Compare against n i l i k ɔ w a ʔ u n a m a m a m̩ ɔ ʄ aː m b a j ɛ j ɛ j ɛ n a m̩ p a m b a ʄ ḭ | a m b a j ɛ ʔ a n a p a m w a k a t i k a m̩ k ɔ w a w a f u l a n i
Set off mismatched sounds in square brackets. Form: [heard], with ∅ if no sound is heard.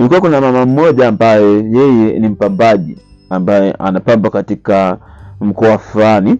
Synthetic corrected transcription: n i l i k [u] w a [k] u n a m a m a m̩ ɔ ʄ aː m b a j ɛ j ɛ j ɛ n [i] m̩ p a m b a ʄ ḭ | a m b a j ɛ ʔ a n a p a m [b] a k a t i k a m̩ k ɔ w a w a f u l a n i